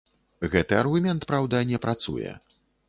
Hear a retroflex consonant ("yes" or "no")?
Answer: no